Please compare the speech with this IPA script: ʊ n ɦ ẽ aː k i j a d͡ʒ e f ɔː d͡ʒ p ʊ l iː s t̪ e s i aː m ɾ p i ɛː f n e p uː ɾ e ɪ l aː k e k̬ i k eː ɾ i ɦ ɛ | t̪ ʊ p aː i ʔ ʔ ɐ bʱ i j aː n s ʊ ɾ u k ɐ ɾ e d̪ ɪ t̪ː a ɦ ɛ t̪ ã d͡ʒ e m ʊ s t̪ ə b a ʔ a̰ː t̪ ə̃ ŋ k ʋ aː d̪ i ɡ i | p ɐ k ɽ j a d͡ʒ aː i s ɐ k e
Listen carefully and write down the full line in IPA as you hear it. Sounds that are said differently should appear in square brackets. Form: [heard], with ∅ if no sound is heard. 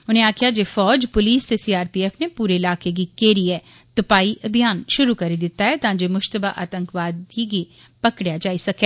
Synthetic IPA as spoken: ʊ n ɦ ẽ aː k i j a d͡ʒ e f ɔː d͡ʒ p ʊ l iː s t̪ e s i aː [∅] ɾ p i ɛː f n e p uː ɾ e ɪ l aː k e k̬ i k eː ɾ i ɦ ɛ | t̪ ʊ p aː i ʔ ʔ ɐ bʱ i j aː n [ʃ] ʊ ɾ u k ɐ ɾ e d̪ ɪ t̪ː a ɦ ɛ t̪ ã d͡ʒ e m ʊ [ʃ] t̪ ə b a ʔ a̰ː t̪ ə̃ ŋ k ʋ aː d̪ i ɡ i | p ɐ k ɽ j a d͡ʒ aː i s ɐ k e